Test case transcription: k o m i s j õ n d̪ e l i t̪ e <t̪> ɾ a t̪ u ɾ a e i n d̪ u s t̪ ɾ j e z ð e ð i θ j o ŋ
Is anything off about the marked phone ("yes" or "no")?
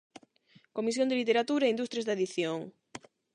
yes